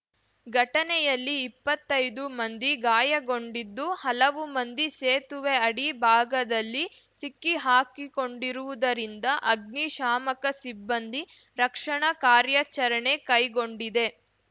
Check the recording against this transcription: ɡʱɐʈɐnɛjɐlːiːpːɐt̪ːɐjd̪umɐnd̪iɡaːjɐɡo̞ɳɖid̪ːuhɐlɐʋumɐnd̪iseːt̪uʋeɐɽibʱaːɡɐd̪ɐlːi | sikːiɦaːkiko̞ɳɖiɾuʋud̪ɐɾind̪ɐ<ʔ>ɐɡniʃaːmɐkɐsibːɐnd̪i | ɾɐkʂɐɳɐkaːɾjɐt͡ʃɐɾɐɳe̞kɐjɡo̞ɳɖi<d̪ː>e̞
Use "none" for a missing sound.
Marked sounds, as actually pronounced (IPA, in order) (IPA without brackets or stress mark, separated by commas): ʔ, d̪